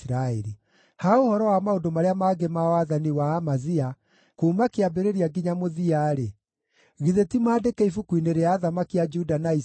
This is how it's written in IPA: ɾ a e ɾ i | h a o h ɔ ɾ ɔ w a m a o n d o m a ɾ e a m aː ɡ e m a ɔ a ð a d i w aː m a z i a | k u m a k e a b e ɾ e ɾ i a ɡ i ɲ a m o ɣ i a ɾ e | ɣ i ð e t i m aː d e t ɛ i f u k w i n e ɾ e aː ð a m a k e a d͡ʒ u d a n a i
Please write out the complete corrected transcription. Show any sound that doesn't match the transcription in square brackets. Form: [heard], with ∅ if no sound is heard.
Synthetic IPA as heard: ɾ a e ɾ i | h a o h ɔ ɾ ɔ w a m a o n d o m a ɾ e a m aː ɡ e m a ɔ a ð a [n] i w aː m a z i a | k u m a k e a b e ɾ e ɾ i a ɡ i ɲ a m o [ð] i a ɾ e | ɣ i ð e t i m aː d e [k] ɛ i f u k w i n e ɾ e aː ð a m a k [i] a d͡ʒ u d a n a i